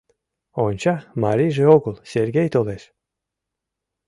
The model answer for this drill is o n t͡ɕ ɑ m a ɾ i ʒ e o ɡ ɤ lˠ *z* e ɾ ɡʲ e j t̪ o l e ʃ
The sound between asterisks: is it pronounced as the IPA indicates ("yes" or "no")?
no